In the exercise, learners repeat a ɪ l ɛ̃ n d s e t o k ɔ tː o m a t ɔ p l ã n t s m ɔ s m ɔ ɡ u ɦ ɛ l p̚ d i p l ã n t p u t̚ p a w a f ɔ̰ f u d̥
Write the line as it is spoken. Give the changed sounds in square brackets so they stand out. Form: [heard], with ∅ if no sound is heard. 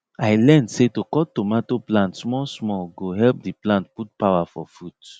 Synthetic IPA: a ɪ l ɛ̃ n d s e t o k ɔ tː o m a t [o] p l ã n t s m ɔ s m ɔ ɡ [o] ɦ ɛ l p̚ d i p l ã n t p u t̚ p a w a f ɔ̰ f u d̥

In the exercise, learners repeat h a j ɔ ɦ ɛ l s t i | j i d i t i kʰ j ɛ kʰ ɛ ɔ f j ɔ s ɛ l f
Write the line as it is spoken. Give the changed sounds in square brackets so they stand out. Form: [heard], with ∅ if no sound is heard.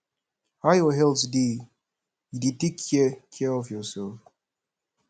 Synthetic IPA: h a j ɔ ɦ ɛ l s [d] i | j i d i t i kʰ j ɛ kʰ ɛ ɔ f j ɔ s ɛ l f

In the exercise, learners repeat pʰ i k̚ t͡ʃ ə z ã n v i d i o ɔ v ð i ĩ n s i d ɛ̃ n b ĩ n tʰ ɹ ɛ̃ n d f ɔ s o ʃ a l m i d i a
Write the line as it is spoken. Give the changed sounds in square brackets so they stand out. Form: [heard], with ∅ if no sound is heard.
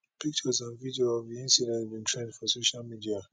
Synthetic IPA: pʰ i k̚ t͡ʃ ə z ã n v i d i o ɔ v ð i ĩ n s i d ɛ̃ n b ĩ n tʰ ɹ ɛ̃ n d f ɔ s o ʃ a l m i d i a

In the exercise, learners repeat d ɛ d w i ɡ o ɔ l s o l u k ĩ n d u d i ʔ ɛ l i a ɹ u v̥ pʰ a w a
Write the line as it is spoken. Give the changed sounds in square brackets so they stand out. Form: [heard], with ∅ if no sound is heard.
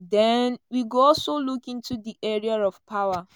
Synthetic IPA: d ɛ [n] w i ɡ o ɔ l s o l u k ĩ n [t] u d i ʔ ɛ [ɹ] i a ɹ [ɔ] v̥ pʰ a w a

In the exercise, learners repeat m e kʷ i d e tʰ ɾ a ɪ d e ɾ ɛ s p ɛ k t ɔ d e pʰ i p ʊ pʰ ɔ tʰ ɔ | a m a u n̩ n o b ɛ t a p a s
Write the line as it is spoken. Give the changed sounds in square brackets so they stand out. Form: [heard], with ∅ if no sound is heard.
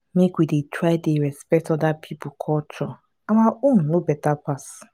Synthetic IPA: m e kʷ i d e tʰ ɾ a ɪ d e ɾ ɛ s p ɛ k t ɔ d [a] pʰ i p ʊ [kʰ] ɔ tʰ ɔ | a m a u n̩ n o b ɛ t a p a s

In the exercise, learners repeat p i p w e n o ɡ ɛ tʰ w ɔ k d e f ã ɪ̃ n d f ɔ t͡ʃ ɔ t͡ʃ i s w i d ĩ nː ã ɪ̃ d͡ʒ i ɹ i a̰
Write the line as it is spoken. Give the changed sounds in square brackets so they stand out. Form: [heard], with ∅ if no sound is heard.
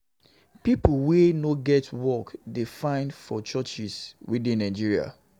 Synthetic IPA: p i p w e n o ɡ ɛ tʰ w ɔ k d e f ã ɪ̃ n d f ɔ t͡ʃ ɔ t͡ʃ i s w i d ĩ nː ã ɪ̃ d͡ʒ i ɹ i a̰

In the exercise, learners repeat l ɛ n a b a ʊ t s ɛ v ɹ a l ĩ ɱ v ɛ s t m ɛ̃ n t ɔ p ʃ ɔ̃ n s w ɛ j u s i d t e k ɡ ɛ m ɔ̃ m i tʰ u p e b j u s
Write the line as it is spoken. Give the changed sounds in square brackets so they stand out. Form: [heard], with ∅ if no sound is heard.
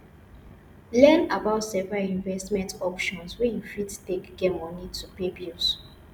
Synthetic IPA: l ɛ n a b a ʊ t s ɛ v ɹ a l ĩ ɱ v ɛ s t m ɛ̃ n t ɔ p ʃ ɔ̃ n s w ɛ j u [f] i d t e k ɡ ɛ m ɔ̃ [n] i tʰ u p e b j u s

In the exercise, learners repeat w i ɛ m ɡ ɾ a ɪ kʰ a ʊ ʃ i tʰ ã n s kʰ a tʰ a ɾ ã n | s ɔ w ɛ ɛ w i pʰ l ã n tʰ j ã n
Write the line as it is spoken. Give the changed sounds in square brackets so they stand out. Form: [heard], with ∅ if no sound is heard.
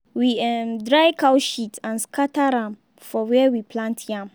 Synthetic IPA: w i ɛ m [d] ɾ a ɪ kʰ a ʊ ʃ i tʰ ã n s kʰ a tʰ a ɾ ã [m] | [f] ɔ w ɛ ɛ w i pʰ l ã n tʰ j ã [m]

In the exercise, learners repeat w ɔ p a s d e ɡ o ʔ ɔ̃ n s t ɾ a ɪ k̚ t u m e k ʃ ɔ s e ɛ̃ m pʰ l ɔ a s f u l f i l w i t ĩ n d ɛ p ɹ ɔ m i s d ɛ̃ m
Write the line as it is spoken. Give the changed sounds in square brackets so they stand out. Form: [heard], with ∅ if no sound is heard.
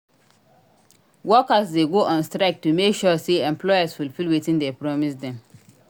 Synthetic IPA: w ɔ [k] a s d e ɡ o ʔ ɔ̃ n s t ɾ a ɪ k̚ t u m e k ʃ ɔ s e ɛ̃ m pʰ l ɔ a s f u l f i l w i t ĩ n d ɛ p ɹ ɔ m i s d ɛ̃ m

